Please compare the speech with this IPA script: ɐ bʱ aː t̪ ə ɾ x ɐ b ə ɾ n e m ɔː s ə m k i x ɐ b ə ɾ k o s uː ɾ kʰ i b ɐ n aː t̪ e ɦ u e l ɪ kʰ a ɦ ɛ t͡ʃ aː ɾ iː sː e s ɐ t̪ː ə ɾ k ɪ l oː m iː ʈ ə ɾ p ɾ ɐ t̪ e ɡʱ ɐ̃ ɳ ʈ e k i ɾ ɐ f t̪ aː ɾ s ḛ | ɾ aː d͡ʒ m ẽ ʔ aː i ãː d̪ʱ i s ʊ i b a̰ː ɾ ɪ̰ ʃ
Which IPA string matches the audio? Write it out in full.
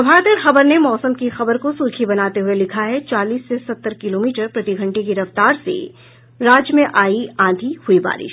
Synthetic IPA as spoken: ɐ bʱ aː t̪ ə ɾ x ɐ b ə ɾ n e m ɔː s ə m k i x ɐ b ə ɾ k o s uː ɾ kʰ i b ɐ n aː t̪ e ɦ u e l ɪ kʰ a ɦ ɛ t͡ʃ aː l iː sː e s ɐ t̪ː ə ɾ k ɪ l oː m iː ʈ ə ɾ p ɾ ɐ t̪ i ɡʱ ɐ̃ ɳ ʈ e k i ɾ ɐ f t̪ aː ɾ s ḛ | ɾ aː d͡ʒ m ẽ ʔ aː i ãː d̪ʱ i h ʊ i b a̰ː ɾ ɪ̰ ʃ